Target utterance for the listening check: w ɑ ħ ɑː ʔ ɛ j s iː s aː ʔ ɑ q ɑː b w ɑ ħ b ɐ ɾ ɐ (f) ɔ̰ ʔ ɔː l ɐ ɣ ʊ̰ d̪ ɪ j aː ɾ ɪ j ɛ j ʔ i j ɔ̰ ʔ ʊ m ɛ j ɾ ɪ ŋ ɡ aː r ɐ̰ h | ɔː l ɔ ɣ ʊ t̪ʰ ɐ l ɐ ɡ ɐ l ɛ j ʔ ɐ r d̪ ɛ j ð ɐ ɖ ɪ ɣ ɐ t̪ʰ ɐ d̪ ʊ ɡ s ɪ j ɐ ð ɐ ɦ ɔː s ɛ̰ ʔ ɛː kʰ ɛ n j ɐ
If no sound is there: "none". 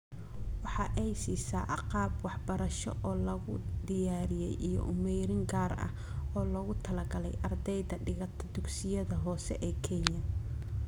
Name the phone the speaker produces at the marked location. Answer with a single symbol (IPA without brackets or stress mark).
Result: ʃ